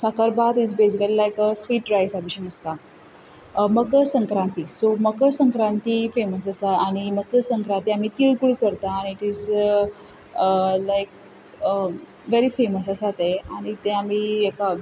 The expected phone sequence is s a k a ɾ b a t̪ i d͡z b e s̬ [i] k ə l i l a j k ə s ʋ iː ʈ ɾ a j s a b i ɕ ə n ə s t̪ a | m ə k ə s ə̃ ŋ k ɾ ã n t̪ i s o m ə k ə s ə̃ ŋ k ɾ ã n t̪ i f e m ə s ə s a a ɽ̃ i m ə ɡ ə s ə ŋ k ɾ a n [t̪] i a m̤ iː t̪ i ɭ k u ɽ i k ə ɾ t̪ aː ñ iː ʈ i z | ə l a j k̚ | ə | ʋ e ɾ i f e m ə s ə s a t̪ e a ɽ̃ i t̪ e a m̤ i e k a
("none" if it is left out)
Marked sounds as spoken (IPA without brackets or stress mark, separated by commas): i, t̪